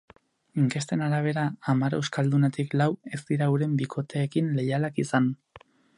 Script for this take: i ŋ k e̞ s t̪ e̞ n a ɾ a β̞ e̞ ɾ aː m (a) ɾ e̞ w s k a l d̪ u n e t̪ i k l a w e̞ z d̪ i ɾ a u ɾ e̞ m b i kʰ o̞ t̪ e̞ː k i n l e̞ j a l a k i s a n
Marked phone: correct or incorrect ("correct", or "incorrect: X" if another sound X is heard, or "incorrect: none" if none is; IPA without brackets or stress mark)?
correct